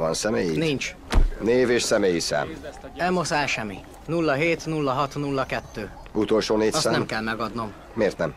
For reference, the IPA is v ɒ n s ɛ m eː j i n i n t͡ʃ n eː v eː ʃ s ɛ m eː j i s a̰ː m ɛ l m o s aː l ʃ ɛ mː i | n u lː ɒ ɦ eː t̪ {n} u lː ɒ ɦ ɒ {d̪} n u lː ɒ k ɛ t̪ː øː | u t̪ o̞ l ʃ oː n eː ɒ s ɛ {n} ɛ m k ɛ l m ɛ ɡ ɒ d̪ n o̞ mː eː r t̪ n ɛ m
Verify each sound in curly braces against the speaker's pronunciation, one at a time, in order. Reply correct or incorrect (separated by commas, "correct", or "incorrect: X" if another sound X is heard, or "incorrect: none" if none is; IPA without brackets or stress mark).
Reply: correct, incorrect: t̪, correct